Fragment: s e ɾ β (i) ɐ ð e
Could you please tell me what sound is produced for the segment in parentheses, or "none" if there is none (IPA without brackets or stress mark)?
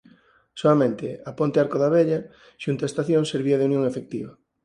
i